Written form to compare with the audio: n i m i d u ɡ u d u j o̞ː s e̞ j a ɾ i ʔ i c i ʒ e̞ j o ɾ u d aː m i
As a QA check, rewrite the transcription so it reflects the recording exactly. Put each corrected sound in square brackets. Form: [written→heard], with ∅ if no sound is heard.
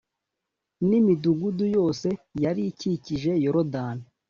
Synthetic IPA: n i m i d u ɡ u d u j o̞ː s e̞ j a ɾ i [ʔ→c] i c i ʒ e̞ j o ɾ [u→o] d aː [m→n] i